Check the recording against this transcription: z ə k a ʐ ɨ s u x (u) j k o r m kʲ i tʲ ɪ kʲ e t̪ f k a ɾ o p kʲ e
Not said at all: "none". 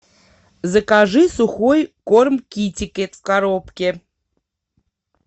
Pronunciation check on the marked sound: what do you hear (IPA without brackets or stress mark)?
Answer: o